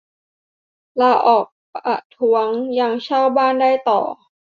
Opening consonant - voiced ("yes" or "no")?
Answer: yes